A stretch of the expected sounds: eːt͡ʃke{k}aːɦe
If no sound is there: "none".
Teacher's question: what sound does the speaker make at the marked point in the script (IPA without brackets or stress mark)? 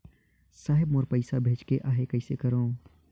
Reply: ʔ